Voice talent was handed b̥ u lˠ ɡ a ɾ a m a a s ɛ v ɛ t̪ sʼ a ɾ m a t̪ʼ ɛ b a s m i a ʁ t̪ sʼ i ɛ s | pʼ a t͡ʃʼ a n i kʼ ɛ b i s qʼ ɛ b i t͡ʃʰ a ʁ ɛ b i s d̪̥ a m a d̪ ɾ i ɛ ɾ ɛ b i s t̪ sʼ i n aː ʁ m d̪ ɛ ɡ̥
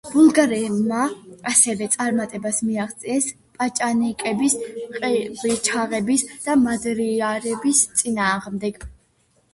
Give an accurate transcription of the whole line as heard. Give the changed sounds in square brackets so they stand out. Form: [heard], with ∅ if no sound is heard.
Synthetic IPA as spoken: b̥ u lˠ ɡ a ɾ [ɛ] m a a s ɛ v ɛ t̪ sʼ a ɾ m a t̪ʼ ɛ b a s m i a ʁ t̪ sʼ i ɛ s | pʼ a t͡ʃʼ a n i kʼ ɛ b i s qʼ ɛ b i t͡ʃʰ a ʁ ɛ b i s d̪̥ a m a d̪ ɾ i [a] ɾ ɛ b i s t̪ sʼ i n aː ʁ m d̪ ɛ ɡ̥